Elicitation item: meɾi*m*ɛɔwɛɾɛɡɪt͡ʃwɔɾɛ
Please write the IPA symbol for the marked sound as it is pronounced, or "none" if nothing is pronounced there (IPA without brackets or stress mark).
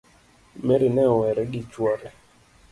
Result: n